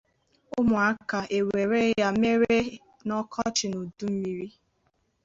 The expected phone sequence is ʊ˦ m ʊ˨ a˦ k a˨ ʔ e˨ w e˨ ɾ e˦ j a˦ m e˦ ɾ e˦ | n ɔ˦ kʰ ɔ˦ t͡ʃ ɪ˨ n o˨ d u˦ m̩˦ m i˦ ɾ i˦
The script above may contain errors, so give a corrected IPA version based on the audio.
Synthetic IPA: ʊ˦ m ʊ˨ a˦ k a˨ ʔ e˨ w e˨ ɾ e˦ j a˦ m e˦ ɾ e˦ | n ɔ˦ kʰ ɔ˦ t͡ʃ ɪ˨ n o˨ d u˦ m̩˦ m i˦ ɾ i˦